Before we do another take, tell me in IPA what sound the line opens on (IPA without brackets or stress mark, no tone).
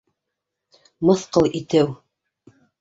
m